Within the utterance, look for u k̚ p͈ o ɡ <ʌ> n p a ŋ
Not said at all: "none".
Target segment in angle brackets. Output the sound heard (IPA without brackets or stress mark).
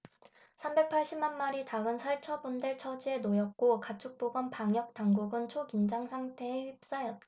ʌ